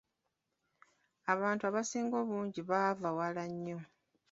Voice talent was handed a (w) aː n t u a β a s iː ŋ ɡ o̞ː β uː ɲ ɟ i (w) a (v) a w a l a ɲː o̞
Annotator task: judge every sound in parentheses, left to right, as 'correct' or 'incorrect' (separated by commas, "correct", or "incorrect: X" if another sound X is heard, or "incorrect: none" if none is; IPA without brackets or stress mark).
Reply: incorrect: β, incorrect: β, correct